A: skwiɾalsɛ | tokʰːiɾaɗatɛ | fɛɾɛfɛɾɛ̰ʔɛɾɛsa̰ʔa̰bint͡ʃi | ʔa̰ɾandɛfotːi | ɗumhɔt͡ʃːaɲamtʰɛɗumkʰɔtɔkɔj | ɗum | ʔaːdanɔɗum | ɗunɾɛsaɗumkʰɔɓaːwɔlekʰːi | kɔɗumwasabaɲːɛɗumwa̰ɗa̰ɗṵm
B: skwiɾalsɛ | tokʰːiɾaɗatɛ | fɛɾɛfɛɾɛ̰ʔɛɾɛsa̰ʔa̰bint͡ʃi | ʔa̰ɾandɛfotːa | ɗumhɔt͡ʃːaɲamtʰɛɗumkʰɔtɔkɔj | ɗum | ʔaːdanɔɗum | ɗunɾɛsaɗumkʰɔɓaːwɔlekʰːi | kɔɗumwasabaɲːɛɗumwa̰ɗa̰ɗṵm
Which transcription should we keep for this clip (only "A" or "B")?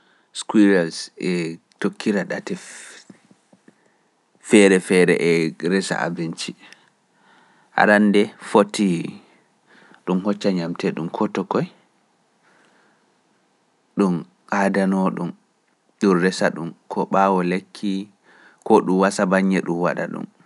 A